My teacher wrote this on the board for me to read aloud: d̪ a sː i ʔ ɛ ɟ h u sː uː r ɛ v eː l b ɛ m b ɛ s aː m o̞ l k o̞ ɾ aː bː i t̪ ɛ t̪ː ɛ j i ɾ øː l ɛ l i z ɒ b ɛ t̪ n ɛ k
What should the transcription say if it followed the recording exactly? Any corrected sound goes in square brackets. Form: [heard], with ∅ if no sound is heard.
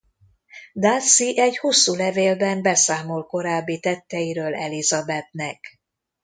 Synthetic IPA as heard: d̪ a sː i ʔ ɛ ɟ h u sː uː [l] ɛ v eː l b ɛ m b ɛ s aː m o̞ l k o̞ ɾ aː bː i t̪ ɛ t̪ː ɛ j i ɾ øː l ɛ l i z ɒ b ɛ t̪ n ɛ k